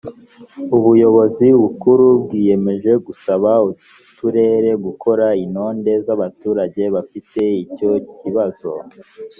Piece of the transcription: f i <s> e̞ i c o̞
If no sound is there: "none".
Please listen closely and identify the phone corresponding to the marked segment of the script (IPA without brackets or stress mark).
t